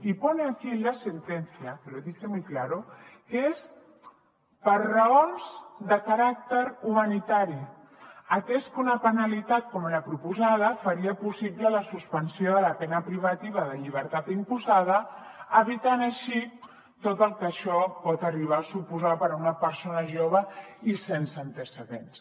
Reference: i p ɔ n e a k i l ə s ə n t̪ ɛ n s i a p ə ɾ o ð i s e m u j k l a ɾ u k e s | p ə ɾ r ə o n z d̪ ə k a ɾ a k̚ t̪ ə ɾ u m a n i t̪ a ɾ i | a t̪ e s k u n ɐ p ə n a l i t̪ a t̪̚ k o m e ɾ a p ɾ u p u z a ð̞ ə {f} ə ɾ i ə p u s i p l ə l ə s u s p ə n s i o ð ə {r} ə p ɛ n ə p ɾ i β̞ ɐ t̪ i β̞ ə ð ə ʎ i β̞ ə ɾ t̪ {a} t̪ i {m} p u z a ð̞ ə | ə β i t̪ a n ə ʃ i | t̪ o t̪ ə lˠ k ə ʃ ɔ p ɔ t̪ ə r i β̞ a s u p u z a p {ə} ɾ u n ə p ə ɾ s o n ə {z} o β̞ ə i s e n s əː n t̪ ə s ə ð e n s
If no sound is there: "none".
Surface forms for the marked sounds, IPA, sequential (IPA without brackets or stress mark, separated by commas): f, l, a, m, ə, ʒ